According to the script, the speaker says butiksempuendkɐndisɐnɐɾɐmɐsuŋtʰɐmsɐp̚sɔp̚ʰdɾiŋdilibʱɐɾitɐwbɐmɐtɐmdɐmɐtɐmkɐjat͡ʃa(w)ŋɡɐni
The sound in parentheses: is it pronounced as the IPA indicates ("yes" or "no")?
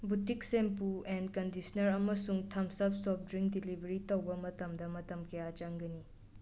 no